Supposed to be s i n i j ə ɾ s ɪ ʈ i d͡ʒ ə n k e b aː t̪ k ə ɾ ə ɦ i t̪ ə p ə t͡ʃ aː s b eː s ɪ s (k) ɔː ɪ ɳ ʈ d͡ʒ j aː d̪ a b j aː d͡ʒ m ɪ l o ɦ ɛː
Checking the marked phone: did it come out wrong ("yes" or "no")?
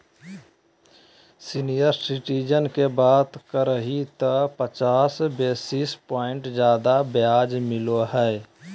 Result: yes